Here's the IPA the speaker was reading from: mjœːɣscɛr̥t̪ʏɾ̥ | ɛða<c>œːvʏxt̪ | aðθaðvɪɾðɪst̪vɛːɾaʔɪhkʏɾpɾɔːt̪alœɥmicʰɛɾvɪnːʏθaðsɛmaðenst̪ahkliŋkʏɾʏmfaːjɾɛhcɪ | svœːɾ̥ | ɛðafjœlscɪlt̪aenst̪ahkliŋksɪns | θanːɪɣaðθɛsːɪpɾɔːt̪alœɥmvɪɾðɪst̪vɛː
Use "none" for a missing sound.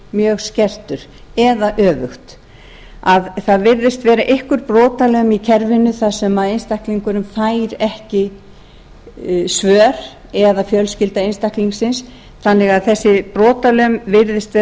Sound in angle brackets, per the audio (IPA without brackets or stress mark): ʔ